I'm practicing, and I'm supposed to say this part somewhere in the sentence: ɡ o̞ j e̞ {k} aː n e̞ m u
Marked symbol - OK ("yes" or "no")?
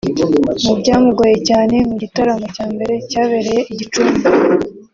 no